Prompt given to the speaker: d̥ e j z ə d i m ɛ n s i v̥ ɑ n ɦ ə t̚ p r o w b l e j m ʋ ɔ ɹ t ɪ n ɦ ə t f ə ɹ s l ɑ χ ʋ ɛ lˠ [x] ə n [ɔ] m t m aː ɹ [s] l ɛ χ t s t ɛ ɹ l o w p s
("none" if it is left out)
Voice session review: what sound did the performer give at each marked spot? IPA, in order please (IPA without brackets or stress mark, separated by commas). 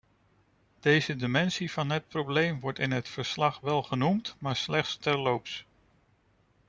χ, u, s